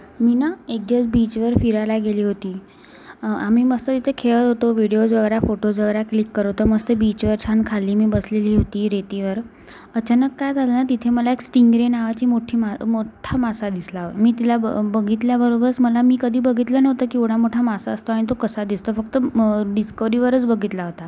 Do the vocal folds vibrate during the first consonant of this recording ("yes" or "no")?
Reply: yes